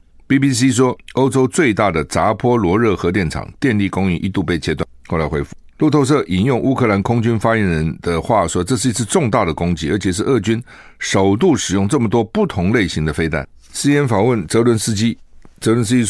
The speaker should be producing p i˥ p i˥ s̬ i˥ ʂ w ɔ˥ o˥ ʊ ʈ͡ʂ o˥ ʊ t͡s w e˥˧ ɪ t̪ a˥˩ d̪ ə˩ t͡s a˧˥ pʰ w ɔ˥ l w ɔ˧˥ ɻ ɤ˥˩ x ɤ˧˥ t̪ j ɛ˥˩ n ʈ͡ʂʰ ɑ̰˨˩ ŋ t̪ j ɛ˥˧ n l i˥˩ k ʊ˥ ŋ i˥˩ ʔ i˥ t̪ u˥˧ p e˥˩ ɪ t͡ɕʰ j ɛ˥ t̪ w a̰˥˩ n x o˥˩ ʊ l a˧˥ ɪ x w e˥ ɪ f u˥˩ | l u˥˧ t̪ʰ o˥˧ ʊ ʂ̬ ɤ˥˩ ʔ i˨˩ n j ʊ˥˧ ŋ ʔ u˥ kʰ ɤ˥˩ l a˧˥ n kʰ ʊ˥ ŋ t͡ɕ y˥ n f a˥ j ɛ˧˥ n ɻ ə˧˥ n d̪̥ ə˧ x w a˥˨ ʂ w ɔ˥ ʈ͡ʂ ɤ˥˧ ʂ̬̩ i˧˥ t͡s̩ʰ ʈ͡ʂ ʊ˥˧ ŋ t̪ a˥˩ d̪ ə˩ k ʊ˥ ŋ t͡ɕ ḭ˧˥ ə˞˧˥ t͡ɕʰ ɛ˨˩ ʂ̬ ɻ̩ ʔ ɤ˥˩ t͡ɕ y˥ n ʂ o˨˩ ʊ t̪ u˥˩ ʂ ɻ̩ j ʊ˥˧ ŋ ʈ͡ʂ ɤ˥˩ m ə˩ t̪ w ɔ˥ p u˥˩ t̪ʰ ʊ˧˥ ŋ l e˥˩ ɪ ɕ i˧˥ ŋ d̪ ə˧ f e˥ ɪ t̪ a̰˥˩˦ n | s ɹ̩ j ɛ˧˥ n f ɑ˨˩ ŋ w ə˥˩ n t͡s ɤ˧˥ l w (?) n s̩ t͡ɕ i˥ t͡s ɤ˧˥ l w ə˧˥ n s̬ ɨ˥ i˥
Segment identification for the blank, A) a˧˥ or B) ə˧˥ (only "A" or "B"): B